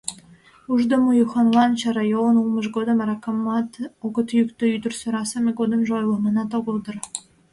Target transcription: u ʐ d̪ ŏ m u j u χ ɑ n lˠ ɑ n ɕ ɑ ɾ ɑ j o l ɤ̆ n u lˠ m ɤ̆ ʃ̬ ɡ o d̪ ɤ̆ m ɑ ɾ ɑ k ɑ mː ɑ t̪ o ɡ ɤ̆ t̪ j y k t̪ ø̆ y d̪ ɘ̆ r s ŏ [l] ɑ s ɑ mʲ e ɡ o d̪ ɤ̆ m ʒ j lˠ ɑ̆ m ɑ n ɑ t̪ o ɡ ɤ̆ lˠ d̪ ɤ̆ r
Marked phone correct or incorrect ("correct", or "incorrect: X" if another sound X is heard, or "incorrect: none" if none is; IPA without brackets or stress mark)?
incorrect: ɾ